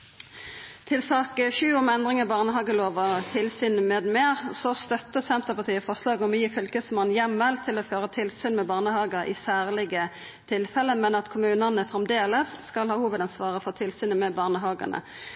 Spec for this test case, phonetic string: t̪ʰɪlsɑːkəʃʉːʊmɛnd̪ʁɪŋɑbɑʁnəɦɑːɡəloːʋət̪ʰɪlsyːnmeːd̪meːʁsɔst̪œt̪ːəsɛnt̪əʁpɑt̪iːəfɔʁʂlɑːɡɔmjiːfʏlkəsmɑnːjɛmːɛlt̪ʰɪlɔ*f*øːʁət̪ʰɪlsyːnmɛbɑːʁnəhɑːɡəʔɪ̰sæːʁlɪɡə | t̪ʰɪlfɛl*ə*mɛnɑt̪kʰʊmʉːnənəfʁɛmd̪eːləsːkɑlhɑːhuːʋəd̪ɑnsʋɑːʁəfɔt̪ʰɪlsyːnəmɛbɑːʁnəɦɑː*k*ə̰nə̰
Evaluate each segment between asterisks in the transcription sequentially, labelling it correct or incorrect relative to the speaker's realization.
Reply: correct, correct, incorrect

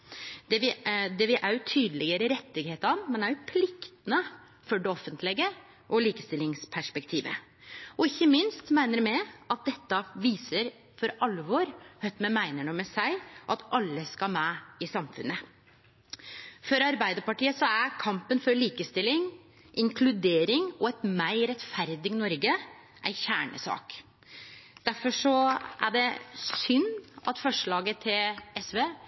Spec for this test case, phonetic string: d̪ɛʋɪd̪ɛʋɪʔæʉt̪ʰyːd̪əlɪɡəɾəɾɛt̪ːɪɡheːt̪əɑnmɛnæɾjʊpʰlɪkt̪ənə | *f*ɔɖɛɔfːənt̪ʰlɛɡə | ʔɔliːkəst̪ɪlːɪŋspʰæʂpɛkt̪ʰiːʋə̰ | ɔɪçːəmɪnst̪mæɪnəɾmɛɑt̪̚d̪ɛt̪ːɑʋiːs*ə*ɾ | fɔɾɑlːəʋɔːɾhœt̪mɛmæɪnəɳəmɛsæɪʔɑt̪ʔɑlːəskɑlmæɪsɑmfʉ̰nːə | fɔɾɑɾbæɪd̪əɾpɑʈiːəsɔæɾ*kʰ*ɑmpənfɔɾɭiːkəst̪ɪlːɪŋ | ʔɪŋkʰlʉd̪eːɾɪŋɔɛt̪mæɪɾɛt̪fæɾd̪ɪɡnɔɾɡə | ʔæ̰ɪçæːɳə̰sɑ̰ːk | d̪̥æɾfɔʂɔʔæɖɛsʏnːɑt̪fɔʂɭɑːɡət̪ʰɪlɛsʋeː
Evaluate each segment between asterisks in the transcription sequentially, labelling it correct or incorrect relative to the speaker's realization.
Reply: correct, correct, correct

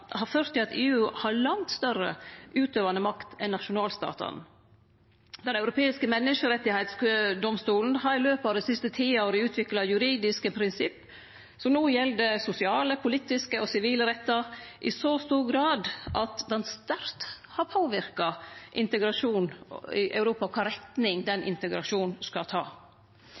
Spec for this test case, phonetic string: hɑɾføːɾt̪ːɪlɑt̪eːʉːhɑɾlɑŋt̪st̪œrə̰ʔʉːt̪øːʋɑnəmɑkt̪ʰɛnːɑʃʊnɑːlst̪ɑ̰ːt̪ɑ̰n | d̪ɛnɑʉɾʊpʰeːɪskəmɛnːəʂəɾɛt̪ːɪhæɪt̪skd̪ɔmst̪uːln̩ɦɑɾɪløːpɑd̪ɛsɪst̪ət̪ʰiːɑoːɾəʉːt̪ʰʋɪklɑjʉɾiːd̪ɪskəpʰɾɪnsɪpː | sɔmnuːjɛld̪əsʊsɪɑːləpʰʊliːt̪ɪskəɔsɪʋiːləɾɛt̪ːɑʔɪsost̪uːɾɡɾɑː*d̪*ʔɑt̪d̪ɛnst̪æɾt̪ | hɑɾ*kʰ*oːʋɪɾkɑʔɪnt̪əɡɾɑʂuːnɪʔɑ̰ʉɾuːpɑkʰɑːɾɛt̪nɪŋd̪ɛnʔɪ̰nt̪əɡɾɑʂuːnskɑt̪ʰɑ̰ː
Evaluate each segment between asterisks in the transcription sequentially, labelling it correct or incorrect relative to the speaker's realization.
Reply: correct, incorrect

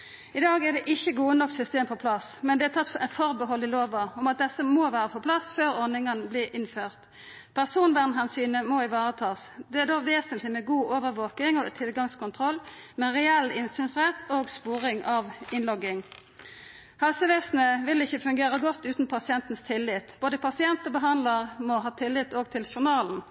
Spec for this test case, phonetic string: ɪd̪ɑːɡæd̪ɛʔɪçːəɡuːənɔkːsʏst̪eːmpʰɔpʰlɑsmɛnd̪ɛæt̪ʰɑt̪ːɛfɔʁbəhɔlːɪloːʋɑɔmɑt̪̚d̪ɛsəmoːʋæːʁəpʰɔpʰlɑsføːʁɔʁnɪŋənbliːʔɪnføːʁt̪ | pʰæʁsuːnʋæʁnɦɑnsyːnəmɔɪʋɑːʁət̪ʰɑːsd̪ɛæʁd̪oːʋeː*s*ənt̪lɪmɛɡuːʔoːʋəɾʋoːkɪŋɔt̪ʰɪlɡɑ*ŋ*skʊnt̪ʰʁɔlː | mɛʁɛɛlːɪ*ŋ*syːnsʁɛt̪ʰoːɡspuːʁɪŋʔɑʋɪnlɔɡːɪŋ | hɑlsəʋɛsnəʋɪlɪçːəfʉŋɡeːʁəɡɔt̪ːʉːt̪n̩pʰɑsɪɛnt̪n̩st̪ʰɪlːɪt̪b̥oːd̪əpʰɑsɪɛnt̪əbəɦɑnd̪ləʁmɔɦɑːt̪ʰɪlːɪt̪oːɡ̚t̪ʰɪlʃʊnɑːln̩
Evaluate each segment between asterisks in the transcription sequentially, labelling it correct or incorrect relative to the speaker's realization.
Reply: correct, correct, incorrect

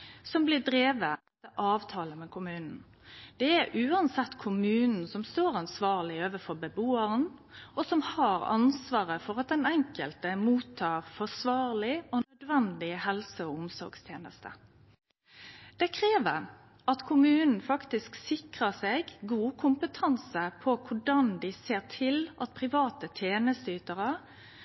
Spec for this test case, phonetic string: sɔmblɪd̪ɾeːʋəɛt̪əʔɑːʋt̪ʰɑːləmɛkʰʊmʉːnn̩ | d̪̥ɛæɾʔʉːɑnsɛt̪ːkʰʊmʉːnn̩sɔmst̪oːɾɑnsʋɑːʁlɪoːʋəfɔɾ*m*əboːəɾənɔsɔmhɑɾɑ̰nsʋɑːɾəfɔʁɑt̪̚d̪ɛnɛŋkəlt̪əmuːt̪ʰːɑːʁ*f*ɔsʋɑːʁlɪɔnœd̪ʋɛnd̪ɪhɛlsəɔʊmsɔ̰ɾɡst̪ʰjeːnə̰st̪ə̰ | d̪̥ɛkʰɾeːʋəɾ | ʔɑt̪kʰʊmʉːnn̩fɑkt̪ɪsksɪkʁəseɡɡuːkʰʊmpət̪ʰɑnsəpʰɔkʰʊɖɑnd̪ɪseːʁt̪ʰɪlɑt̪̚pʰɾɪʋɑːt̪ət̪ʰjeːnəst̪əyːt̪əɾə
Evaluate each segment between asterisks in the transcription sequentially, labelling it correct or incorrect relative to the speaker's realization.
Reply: incorrect, correct

